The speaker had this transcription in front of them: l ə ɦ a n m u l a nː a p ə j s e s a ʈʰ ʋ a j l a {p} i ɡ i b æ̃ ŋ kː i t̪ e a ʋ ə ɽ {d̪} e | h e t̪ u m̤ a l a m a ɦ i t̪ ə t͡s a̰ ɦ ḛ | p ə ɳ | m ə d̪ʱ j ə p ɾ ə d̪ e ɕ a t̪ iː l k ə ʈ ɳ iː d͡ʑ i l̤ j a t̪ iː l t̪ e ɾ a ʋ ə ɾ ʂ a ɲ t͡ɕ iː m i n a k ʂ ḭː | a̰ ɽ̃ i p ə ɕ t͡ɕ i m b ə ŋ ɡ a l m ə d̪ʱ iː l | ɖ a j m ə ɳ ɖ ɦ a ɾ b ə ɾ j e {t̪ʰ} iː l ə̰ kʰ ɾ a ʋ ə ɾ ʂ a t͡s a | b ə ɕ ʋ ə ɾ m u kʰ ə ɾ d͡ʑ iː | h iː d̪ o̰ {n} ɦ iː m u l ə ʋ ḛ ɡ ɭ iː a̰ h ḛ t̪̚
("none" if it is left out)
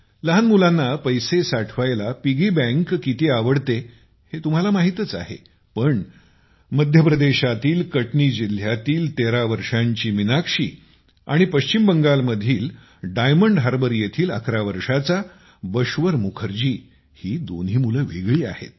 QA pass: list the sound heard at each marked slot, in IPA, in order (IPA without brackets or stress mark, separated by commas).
p, t̪, t̪ʰ, n